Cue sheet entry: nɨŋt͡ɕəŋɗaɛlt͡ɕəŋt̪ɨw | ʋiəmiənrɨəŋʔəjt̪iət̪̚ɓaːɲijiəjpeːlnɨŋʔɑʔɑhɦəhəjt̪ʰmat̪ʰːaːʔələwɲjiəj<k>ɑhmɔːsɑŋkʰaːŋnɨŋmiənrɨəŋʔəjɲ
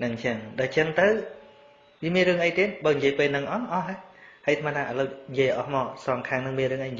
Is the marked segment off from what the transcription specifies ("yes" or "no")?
yes